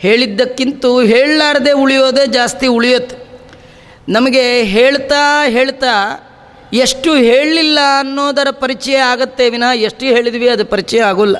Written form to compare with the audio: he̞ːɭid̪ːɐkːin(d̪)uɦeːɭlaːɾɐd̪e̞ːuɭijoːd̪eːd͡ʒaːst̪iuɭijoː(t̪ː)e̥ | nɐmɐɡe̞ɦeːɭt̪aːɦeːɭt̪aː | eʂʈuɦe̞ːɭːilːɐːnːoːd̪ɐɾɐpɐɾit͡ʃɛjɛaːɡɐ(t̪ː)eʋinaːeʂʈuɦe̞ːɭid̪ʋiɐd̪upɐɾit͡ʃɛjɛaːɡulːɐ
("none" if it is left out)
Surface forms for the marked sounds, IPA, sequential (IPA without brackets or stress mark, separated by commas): t̪, t̪ː, t̪ː